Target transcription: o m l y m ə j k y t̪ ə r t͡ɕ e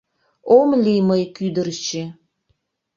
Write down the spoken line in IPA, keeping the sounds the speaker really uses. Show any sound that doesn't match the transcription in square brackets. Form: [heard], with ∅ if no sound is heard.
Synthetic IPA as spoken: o m l [i] m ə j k y [d̪] ə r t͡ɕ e